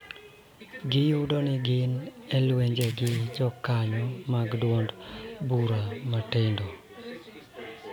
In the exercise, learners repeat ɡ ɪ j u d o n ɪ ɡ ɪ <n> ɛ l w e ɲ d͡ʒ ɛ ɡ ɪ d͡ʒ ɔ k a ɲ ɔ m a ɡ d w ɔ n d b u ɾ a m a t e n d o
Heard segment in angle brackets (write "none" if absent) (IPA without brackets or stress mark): n